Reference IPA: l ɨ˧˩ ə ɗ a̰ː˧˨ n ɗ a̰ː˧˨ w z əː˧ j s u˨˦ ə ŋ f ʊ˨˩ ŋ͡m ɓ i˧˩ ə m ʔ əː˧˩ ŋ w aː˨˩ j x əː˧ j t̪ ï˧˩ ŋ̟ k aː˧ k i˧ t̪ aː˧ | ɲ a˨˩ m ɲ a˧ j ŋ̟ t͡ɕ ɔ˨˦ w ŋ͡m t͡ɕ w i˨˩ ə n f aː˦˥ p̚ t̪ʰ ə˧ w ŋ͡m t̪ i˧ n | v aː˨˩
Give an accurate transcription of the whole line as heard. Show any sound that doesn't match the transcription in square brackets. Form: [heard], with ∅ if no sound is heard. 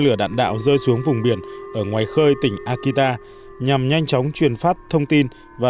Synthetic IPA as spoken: l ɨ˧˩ ə ɗ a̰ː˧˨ n ɗ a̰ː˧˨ w z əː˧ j s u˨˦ ə ŋ [v] ʊ˨˩ ŋ͡m ɓ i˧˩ ə [n] ʔ əː˧˩ ŋ w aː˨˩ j x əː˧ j t̪ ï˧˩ ŋ̟ [ʔ] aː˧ k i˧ t̪ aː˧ | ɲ a˨˩ m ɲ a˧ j ŋ̟ t͡ɕ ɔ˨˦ w ŋ͡m t͡ɕ w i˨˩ ə n f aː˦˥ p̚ t̪ʰ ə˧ w ŋ͡m t̪ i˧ n | v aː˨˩